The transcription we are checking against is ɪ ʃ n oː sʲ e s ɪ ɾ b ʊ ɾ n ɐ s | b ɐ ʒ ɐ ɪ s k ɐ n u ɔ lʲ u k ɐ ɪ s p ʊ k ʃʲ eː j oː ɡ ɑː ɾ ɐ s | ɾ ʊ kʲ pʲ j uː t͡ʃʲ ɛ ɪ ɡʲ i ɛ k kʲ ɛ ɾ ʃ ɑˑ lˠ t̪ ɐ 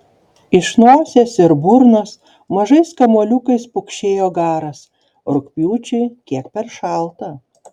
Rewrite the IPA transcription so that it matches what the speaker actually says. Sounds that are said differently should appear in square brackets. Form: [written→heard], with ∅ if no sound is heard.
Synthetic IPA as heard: ɪ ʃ n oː sʲ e s ɪ ɾ b ʊ ɾ n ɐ s | [b→m] ɐ ʒ ɐ ɪ s k ɐ [n→m] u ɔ lʲ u k ɐ ɪ s p ʊ k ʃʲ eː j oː ɡ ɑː ɾ ɐ s | ɾ ʊ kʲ pʲ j uː t͡ʃʲ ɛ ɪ [ɡʲ→kʲ] i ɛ k [kʲ→pʲ] ɛ ɾ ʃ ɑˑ lˠ t̪ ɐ

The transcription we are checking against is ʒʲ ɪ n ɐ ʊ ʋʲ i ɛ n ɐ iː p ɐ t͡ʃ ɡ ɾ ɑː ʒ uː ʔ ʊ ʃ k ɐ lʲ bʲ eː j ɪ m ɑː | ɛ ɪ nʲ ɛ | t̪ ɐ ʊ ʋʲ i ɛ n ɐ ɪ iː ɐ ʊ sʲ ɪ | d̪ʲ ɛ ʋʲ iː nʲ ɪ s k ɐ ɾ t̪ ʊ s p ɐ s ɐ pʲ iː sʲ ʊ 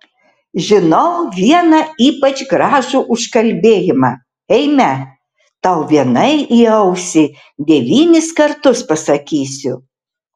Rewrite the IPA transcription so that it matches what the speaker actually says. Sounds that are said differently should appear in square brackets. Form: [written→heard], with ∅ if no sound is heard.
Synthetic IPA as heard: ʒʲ ɪ n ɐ ʊ ʋʲ i ɛ n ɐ iː p ɐ t͡ʃ ɡ ɾ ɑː ʒ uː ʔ ʊ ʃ k ɐ lʲ bʲ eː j ɪ m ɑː | ɛ ɪ [nʲ→mʲ] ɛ | t̪ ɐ ʊ ʋʲ i ɛ n ɐ ɪ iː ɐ ʊ sʲ ɪ | d̪ʲ ɛ ʋʲ iː nʲ ɪ s k ɐ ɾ t̪ ʊ s p ɐ s ɐ [pʲ→kʲ] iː sʲ ʊ

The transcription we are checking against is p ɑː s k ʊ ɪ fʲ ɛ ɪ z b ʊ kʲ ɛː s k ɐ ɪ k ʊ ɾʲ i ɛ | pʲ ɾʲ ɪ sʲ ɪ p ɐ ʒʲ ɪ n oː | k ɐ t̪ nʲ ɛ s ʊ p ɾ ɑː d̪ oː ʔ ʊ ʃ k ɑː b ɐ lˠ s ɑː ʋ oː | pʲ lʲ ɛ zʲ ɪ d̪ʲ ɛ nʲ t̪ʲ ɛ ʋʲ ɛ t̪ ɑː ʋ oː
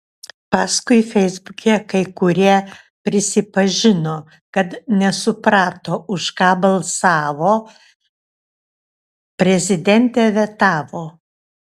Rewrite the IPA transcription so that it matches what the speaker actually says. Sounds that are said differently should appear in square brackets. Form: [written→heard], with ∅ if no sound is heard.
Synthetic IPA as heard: p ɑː s k ʊ ɪ fʲ ɛ ɪ z b ʊ kʲ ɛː [s→∅] k ɐ ɪ k ʊ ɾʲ i ɛ | pʲ ɾʲ ɪ sʲ ɪ p ɐ ʒʲ ɪ n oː | k ɐ t̪ nʲ ɛ s ʊ p ɾ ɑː [d̪→t̪] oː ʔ ʊ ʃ k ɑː b ɐ lˠ s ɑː ʋ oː | pʲ [lʲ→ɾʲ] ɛ zʲ ɪ d̪ʲ ɛ nʲ t̪ʲ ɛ ʋʲ ɛ t̪ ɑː ʋ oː

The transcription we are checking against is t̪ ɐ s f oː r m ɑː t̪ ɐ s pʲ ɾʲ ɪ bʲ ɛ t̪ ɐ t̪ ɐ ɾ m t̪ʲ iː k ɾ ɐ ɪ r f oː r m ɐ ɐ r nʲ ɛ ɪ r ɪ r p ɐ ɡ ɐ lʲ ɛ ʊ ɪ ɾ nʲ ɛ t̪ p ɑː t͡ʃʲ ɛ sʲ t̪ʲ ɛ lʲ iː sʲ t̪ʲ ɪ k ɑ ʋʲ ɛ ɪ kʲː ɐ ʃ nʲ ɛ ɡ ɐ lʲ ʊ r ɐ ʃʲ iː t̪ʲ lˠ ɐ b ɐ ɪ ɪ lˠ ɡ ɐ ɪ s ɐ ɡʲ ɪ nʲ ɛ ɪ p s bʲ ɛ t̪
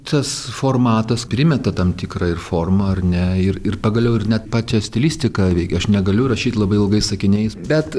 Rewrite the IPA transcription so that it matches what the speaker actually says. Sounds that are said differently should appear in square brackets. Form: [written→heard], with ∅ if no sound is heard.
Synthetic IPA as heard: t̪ ɐ s f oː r m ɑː t̪ ɐ s pʲ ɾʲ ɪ [bʲ→mʲ] ɛ t̪ ɐ t̪ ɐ [ɾ→∅] m t̪ʲ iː k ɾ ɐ ɪ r f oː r m ɐ ɐ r nʲ ɛ ɪ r ɪ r p ɐ ɡ ɐ lʲ ɛ ʊ ɪ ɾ nʲ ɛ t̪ p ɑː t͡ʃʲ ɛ sʲ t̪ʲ ɛ lʲ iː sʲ t̪ʲ ɪ k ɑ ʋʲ ɛ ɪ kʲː ɐ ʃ nʲ ɛ ɡ ɐ lʲ ʊ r ɐ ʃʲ iː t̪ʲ lˠ ɐ b ɐ ɪ ɪ lˠ ɡ ɐ ɪ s ɐ [ɡʲ→kʲ] ɪ nʲ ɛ ɪ [p→∅] s bʲ ɛ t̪

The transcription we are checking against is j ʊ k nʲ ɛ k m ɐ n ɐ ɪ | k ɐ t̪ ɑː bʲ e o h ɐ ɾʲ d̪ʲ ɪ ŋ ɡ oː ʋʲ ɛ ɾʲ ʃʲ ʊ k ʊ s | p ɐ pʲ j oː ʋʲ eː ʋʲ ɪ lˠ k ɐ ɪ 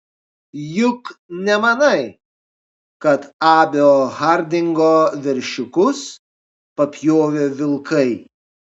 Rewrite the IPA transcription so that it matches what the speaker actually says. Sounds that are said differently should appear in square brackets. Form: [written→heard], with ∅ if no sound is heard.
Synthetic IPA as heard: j ʊ k nʲ ɛ [k→∅] m ɐ n ɐ ɪ | k ɐ t̪ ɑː bʲ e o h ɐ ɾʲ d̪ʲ ɪ ŋ ɡ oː ʋʲ ɛ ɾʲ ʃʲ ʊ k ʊ s | p ɐ pʲ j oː ʋʲ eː ʋʲ ɪ lˠ k ɐ ɪ

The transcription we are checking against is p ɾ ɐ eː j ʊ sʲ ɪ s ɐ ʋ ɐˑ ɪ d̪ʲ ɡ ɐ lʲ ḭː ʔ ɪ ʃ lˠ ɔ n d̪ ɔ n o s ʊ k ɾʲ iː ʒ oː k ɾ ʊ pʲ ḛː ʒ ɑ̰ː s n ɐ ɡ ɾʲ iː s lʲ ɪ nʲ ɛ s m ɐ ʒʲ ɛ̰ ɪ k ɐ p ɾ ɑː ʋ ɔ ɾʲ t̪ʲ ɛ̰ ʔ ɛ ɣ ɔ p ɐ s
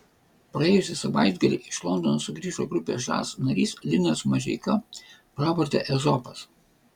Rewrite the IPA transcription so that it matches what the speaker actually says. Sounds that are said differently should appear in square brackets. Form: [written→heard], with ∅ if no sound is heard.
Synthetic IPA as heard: p ɾ ɐ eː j ʊ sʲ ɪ s ɐ ʋ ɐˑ ɪ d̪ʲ ɡ ɐ lʲ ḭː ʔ ɪ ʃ lˠ ɔ n d̪ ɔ n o s ʊ [k→ɡ] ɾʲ iː ʒ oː [k→ɡ] ɾ ʊ pʲ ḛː ʒ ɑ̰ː s n ɐ [ɡ→∅] ɾʲ iː s lʲ ɪ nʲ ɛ s m ɐ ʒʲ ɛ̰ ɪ k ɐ p ɾ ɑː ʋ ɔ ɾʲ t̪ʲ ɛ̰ ʔ ɛ [ɣ→z] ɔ p ɐ s

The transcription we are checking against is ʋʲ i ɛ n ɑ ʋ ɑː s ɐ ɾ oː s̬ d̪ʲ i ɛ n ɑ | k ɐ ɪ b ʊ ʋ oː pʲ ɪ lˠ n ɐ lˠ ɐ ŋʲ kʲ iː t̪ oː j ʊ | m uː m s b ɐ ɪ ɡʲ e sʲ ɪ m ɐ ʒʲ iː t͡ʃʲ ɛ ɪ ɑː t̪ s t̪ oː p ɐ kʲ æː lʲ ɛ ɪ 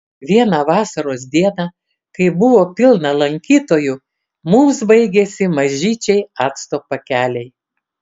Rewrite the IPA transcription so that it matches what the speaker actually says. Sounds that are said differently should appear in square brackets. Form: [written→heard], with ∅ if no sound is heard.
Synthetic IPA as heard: ʋʲ i ɛ n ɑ ʋ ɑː s ɐ ɾ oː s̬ d̪ʲ i ɛ n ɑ | k ɐ ɪ b ʊ ʋ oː pʲ ɪ lˠ n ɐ lˠ ɐ ŋʲ kʲ iː t̪ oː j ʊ | m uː m s b ɐ ɪ ɡʲ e sʲ ɪ m ɐ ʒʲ iː t͡ʃʲ ɛ ɪ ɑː t̪ s t̪ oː p ɐ kʲ æː lʲ ɛ ɪ

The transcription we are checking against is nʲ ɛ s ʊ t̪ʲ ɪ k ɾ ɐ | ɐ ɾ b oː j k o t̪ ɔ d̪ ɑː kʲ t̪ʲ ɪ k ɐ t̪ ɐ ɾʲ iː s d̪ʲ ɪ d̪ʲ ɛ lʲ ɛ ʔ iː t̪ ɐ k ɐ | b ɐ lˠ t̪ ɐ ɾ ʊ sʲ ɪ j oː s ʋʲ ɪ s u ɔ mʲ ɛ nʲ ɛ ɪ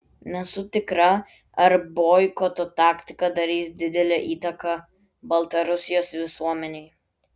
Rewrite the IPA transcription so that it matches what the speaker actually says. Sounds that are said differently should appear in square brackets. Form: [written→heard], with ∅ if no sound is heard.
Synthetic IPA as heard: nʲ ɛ s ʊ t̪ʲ ɪ k ɾ ɐ | ɐ ɾ b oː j k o t̪ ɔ [d̪→t̪] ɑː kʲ t̪ʲ ɪ k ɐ [t̪→d̪] ɐ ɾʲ iː s d̪ʲ ɪ d̪ʲ ɛ lʲ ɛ ʔ iː t̪ ɐ k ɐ | b ɐ lˠ t̪ ɐ ɾ ʊ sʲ ɪ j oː s ʋʲ ɪ s u ɔ mʲ ɛ nʲ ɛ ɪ

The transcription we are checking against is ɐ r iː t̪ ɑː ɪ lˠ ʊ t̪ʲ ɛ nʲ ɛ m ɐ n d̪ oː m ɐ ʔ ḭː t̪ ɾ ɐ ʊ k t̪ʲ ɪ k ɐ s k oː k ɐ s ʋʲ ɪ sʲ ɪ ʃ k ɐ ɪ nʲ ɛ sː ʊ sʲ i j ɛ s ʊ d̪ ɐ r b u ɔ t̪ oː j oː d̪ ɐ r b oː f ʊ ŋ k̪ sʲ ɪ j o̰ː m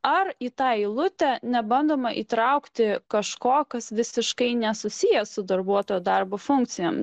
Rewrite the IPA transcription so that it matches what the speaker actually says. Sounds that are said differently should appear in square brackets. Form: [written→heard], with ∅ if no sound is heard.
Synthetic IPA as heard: ɐ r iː t̪ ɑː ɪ lˠ ʊ t̪ʲ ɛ nʲ ɛ [m→b] ɐ n d̪ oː m ɐ ʔ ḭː t̪ ɾ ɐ ʊ k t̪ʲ ɪ k ɐ [s→ʃ] k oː k ɐ s ʋʲ ɪ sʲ ɪ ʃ k ɐ ɪ nʲ ɛ [sː→s] ʊ sʲ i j ɛ s ʊ d̪ ɐ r b u ɔ t̪ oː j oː d̪ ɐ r b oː f ʊ ŋ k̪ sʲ ɪ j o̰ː m

